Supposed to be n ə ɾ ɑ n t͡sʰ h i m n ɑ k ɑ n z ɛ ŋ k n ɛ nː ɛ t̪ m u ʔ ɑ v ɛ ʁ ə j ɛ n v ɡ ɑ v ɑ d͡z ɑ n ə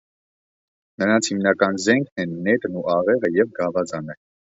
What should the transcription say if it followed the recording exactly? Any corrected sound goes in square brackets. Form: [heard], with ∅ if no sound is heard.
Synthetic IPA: n ə ɾ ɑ n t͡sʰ h i m n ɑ k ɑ n z ɛ ŋ [kʰ] n ɛ nː ɛ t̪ [n] u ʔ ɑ [ʁ] ɛ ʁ ə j ɛ [∅] v ɡ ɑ v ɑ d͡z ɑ n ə